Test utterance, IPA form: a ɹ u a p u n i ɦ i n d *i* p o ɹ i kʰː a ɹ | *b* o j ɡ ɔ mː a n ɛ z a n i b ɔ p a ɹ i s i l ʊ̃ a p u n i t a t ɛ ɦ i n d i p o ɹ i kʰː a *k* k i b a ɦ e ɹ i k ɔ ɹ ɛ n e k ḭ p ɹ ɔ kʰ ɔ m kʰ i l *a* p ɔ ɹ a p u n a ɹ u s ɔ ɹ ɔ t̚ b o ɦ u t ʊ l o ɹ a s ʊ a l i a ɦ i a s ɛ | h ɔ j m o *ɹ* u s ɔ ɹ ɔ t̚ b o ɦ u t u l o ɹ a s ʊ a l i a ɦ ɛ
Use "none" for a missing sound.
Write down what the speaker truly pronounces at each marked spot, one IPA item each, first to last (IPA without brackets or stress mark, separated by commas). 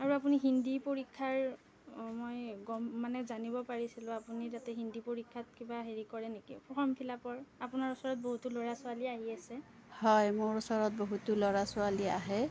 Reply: i, m, t, a, ɹ